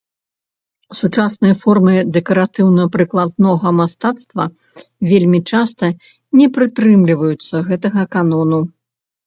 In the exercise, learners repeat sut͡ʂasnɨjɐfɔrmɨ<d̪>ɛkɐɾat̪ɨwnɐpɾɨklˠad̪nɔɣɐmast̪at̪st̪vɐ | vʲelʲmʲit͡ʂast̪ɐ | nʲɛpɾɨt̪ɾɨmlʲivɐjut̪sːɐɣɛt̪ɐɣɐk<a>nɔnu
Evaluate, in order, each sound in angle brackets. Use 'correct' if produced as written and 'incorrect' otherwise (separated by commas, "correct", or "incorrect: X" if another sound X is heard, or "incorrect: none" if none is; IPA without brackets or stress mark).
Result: correct, correct